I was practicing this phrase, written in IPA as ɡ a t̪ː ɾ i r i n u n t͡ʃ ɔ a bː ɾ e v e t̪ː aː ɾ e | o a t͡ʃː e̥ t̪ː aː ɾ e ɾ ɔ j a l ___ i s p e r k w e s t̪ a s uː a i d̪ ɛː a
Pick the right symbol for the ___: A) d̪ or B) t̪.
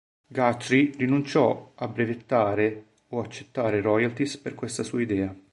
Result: B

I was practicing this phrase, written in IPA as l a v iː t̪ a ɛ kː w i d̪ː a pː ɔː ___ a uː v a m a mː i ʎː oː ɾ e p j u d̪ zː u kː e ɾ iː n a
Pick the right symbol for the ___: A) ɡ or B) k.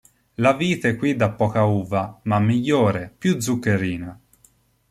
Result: B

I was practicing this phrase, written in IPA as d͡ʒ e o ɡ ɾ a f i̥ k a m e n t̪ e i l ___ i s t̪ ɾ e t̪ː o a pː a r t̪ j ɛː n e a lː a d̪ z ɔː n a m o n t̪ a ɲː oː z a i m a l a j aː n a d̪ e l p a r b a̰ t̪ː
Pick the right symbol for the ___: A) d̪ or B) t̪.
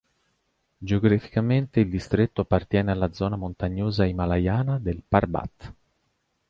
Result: A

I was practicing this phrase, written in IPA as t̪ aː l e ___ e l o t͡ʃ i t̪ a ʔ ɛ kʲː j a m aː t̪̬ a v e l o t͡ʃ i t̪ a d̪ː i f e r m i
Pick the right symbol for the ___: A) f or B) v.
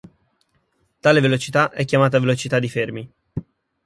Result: B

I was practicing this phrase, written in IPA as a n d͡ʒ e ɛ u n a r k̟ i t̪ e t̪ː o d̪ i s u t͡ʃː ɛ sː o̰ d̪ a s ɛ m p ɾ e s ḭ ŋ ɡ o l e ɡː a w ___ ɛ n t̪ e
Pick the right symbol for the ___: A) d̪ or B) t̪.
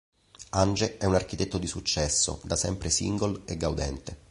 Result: A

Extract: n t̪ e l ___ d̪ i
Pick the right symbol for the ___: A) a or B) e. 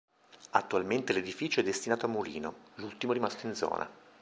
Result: B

